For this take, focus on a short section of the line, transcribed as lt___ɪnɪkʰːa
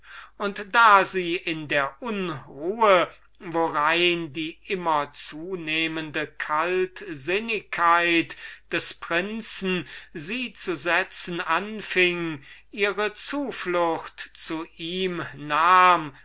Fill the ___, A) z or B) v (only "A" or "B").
A